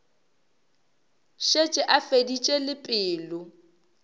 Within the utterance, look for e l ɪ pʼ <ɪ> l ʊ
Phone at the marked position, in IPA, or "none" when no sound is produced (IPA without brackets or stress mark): ɪː